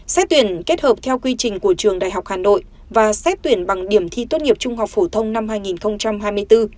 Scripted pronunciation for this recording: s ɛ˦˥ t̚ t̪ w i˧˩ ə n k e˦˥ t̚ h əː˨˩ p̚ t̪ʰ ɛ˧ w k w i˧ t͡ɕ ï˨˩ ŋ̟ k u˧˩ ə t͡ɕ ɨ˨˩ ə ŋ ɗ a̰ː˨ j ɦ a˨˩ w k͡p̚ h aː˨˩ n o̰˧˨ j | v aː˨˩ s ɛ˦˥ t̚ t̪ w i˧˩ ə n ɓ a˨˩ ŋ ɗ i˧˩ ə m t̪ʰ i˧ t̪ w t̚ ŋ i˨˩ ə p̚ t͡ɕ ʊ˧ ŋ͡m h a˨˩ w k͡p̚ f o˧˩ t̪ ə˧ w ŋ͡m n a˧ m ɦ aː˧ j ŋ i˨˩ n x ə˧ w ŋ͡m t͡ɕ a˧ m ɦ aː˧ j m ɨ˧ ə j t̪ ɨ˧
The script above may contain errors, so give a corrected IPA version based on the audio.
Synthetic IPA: s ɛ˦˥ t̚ t̪ w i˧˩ ə n k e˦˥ t̚ h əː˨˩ p̚ t̪ʰ ɛ˧ w k w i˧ t͡ɕ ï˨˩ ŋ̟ k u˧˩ ə t͡ɕ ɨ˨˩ ə ŋ ɗ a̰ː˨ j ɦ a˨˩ w k͡p̚ h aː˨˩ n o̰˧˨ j | v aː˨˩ s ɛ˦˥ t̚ t̪ w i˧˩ ə n ɓ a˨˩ ŋ ɗ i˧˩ ə m t̪ʰ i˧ t̪ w t̚ ŋ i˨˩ ə p̚ t͡ɕ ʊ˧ ŋ͡m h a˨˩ w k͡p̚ f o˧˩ t̪ʰ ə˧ w ŋ͡m n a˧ m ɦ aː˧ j ŋ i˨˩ n x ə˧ w ŋ͡m t͡ɕ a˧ m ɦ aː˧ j m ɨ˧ ə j t̪ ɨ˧